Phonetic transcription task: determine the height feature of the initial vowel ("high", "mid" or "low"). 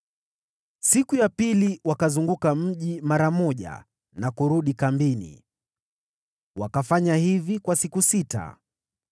high